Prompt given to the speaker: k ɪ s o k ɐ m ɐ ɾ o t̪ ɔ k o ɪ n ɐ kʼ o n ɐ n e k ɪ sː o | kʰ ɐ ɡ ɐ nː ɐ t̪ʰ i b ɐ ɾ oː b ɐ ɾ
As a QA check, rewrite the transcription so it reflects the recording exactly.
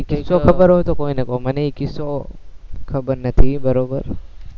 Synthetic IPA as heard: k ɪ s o k ɐ b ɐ ɾ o t̪ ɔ k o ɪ n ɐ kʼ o m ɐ n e k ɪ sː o | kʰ ɐ b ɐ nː ɐ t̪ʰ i b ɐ ɾ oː b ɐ ɾ